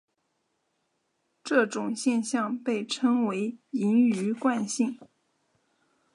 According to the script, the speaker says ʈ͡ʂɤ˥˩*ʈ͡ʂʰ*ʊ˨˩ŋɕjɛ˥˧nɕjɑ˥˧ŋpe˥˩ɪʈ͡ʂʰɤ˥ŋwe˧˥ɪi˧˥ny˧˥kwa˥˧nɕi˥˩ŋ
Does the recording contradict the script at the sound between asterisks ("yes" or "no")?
yes